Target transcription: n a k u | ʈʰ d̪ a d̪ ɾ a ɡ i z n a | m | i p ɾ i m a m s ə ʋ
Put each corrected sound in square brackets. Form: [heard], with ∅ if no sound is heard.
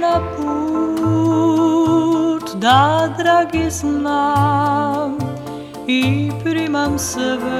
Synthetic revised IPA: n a [p] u | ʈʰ d̪ a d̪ ɾ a ɡ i [s] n a | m | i p ɾ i m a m s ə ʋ